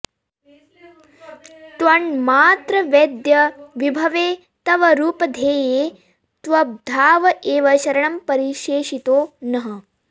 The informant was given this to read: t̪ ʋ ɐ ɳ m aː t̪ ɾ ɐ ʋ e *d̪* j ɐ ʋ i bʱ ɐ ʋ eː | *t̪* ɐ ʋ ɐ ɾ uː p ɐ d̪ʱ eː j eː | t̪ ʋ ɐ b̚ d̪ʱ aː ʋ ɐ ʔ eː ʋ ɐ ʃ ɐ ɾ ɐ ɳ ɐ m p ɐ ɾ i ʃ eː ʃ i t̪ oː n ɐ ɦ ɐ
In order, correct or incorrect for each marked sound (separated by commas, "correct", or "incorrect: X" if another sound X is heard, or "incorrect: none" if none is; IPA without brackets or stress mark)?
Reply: correct, correct